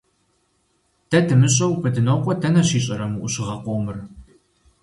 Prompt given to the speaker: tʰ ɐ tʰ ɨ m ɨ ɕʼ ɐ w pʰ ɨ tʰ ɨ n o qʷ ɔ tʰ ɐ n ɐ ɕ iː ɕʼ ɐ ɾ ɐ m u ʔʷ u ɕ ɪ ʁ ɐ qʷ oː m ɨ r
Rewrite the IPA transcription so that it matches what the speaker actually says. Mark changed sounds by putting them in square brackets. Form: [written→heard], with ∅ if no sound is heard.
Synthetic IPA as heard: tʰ ɐ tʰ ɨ m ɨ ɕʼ ɐ w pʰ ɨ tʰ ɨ n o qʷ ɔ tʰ ɐ n ɐ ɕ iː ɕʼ ɐ ɾ ɐ m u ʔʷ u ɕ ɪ ʁ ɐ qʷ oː m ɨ r